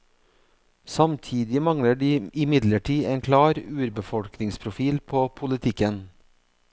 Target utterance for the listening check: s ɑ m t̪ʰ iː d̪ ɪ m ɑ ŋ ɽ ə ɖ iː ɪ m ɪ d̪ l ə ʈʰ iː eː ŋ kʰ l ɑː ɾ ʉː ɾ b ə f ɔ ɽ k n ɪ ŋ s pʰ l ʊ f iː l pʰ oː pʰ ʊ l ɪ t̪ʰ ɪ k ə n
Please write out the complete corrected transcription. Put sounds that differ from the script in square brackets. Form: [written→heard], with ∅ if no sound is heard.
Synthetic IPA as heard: s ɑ m t̪ʰ iː d̪ ɪ m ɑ ŋ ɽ ə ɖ iː ɪ m ɪ d̪ l ə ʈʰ iː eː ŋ kʰ l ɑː ɾ ʉː ɾ b ə f ɔ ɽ k n ɪ ŋ s pʰ [l→ɾ] ʊ f iː l pʰ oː pʰ ʊ l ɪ t̪ʰ ɪ k ə n